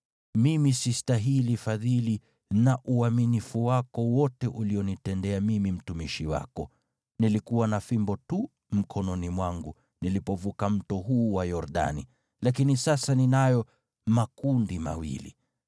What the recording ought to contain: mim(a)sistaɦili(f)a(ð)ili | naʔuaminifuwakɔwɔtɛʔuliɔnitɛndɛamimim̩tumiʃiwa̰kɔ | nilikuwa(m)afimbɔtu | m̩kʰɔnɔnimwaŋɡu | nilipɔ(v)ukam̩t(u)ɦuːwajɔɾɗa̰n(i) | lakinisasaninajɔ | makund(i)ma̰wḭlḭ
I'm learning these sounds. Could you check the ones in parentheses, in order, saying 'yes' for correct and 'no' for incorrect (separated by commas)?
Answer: no, yes, yes, no, yes, no, yes, yes